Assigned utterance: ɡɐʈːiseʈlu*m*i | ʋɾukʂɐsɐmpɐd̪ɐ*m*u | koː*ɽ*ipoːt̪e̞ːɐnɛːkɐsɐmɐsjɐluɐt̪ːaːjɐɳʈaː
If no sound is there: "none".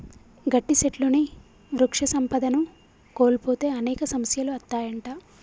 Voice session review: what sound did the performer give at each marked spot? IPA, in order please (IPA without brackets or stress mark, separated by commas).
n, n, l